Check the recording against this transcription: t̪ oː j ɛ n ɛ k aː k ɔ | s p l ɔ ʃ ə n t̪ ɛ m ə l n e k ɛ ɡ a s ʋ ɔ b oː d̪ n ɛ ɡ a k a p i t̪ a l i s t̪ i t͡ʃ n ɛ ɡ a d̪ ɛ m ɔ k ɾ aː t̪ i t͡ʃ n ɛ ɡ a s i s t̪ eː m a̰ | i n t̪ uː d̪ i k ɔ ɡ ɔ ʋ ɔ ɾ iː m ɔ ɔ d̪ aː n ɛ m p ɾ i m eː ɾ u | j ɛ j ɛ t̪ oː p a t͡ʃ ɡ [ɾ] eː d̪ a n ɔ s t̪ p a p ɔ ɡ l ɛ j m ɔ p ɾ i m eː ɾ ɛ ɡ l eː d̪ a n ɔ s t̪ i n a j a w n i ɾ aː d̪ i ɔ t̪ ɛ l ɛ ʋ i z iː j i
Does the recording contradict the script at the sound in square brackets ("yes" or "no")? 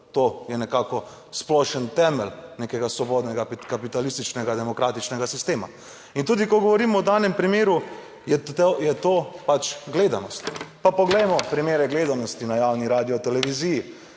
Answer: yes